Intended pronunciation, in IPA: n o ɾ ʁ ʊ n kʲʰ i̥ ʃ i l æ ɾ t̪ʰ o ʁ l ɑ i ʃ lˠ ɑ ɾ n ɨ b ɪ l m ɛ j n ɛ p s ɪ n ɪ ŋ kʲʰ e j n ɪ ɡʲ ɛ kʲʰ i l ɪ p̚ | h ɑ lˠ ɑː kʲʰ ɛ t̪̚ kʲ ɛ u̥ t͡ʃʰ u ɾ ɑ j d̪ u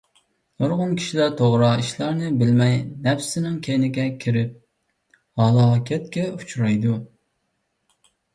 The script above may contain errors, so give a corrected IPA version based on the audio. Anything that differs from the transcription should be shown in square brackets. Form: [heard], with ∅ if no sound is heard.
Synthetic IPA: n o ɾ ʁ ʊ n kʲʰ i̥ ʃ i l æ ɾ t̪ʰ o ʁ [ɾ] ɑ i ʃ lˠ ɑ ɾ n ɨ b ɪ l m ɛ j n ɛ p s ɪ n ɪ ŋ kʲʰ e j n ɪ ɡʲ ɛ kʲʰ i [ɾ] ɪ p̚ | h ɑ lˠ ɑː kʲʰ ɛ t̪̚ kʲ ɛ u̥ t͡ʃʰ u ɾ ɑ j d̪ u